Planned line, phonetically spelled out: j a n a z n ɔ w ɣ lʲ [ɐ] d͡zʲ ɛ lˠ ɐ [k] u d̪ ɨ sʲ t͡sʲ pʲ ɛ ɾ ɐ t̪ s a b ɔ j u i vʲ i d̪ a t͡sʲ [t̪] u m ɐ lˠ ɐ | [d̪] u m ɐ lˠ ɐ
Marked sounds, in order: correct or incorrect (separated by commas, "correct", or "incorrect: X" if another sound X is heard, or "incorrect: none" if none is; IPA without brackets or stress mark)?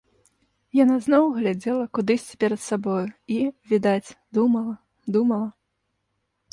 incorrect: a, correct, incorrect: d̪, correct